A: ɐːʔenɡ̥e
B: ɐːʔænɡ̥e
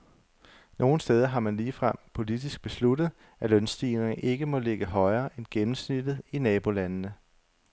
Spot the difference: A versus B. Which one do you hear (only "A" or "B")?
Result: A